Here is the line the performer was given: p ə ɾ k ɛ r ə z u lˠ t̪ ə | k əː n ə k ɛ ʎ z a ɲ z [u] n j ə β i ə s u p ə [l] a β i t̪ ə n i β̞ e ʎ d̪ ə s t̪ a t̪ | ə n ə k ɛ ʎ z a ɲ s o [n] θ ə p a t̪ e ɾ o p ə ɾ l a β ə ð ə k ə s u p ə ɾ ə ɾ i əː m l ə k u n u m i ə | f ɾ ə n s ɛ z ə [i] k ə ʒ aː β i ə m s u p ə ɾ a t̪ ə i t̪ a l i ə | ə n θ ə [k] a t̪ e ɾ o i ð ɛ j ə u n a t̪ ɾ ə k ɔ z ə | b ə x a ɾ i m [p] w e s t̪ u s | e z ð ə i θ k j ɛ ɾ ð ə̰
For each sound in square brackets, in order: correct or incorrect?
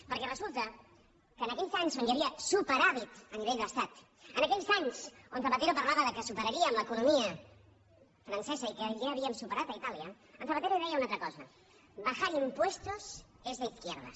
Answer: incorrect, incorrect, correct, correct, incorrect, correct

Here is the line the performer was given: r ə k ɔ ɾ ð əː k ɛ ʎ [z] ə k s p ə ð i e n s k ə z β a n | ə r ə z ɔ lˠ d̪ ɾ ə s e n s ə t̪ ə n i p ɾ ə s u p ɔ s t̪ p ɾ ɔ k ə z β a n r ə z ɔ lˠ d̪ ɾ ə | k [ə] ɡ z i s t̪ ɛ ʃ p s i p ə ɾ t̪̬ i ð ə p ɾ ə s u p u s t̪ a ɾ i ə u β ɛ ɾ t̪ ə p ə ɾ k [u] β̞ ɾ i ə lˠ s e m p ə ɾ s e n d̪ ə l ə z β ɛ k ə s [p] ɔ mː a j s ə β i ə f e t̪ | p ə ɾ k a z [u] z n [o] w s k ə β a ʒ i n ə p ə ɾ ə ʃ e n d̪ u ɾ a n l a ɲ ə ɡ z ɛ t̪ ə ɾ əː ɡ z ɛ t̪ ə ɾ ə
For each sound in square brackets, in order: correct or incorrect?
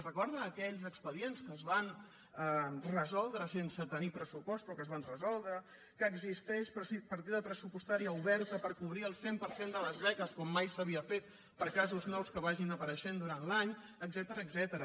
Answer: correct, incorrect, correct, incorrect, correct, incorrect

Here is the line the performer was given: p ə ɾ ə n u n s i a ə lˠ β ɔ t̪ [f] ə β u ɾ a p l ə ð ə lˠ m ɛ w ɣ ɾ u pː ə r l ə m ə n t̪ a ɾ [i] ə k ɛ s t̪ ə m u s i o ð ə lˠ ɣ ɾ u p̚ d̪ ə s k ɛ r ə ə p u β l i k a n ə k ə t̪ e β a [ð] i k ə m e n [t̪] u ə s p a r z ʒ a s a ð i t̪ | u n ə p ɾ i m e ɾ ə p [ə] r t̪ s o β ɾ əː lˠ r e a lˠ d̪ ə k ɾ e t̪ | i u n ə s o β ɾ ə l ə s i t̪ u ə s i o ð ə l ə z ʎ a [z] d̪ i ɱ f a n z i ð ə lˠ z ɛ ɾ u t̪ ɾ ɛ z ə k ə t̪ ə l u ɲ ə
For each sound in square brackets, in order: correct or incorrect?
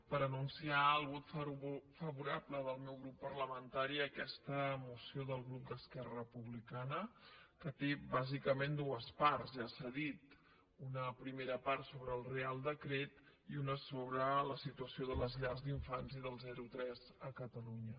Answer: correct, correct, incorrect, incorrect, incorrect, correct

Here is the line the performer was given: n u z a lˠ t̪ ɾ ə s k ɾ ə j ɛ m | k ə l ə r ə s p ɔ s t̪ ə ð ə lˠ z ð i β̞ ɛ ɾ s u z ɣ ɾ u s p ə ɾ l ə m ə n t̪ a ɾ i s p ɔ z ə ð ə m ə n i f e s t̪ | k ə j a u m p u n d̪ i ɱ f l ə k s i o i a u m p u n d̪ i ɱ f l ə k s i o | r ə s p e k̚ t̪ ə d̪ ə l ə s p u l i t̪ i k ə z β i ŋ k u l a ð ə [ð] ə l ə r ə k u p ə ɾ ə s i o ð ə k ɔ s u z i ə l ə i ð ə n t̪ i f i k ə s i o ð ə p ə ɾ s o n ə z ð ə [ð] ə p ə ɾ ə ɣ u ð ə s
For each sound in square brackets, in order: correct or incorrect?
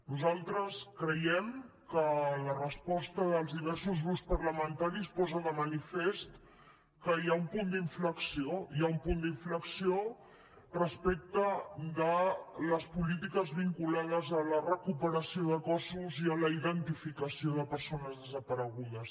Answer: incorrect, incorrect

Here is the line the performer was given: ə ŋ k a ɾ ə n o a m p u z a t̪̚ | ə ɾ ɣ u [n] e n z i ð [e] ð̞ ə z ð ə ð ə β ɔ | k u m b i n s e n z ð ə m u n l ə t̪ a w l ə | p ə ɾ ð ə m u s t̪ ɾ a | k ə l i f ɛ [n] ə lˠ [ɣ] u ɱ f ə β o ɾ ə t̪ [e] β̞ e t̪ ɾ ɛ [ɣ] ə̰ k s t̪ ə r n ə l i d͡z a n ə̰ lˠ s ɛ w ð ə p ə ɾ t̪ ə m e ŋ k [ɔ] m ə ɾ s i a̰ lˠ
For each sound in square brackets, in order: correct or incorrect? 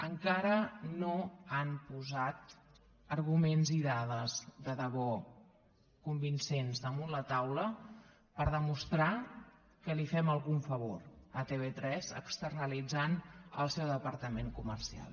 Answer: incorrect, incorrect, incorrect, correct, correct, incorrect, incorrect

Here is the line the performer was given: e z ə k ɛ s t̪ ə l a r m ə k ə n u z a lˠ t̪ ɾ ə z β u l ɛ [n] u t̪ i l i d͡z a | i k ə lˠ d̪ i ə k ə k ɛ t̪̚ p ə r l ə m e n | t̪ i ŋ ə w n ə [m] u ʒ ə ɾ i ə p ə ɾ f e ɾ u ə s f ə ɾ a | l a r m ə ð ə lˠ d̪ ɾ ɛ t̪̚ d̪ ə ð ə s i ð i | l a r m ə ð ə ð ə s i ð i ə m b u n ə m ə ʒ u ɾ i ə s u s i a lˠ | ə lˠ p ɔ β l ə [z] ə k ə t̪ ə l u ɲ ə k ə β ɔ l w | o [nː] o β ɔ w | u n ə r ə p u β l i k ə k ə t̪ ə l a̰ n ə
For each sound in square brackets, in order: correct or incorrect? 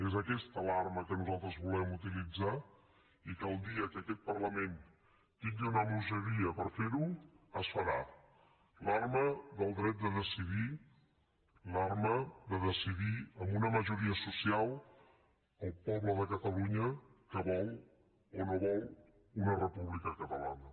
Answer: incorrect, correct, incorrect, incorrect

